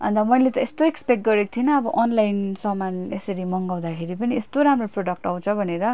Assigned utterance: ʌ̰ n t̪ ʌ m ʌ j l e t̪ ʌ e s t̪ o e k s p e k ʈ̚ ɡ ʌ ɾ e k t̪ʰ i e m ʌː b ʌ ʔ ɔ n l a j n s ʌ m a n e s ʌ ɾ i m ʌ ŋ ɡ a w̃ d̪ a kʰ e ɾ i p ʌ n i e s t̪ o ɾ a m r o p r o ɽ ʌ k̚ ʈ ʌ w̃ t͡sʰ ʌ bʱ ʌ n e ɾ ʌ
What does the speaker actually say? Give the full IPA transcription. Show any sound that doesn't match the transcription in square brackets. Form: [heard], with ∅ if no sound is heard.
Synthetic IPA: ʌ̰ n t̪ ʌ m ʌ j l e t̪ ʌ e s t̪ o e k s p e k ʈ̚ ɡ ʌ ɾ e k t̪ʰ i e [n] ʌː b ʌ ʔ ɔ n l a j n s ʌ m a n e s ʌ ɾ i m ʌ ŋ ɡ a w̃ d̪ a kʰ e ɾ i p ʌ n i e s t̪ o ɾ a m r o p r o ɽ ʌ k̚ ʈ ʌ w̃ t͡sʰ ʌ bʱ ʌ n e ɾ ʌ